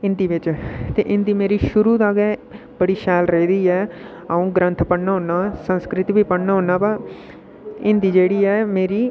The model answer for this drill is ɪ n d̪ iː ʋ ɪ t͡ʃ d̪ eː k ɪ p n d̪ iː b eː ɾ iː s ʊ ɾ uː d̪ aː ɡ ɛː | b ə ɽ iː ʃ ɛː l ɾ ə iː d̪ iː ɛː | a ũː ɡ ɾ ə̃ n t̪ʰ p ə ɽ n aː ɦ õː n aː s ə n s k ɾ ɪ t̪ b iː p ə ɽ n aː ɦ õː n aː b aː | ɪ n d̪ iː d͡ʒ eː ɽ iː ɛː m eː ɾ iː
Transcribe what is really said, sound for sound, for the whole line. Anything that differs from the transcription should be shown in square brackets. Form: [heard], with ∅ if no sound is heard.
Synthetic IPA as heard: ɪ n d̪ iː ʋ ɪ t͡ʃ [t̪] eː [ʔ] ɪ [∅] n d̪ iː [m] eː ɾ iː [ʃ] ʊ ɾ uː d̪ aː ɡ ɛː | b ə ɽ iː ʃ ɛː l ɾ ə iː d̪ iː ɛː | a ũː ɡ ɾ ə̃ n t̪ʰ p ə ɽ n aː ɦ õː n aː s ə n s k ɾ ɪ t̪ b iː p ə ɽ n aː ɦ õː n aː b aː | ɪ n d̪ iː d͡ʒ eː ɽ iː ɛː m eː ɾ iː